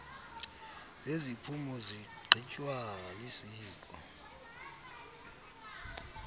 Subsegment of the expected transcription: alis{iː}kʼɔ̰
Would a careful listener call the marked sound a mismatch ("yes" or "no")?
no